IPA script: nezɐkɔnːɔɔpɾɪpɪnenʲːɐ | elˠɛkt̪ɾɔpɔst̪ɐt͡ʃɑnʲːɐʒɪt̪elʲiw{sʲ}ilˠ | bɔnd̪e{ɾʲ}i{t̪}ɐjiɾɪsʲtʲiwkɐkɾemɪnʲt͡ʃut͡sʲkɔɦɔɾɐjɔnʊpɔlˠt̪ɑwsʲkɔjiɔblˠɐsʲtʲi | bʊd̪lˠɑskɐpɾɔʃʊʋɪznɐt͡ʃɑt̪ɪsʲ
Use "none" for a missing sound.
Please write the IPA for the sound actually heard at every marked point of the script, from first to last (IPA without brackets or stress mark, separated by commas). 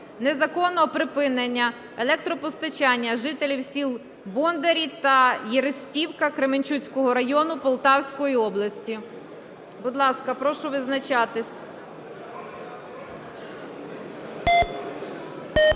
sʲ, ɾʲ, t̪